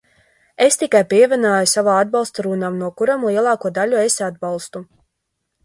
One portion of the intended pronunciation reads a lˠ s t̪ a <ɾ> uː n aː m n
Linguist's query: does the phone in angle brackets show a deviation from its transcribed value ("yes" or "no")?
no